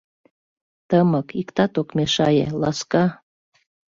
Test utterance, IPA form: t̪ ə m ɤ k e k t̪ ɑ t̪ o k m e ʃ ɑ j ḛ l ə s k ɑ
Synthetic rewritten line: t̪ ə m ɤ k i k t̪ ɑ t̪ o k m e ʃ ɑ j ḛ l ɑ s k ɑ